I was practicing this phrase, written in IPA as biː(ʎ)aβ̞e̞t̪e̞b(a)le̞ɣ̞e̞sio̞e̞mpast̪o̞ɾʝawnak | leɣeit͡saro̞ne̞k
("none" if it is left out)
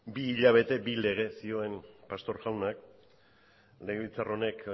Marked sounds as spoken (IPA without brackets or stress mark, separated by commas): ʎ, i